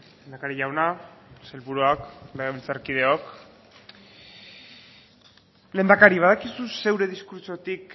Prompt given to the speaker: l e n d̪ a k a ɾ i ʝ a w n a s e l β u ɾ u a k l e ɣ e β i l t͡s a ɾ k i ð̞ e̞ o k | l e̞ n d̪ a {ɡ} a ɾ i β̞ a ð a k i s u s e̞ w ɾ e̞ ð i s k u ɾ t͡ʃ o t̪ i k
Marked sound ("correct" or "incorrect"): incorrect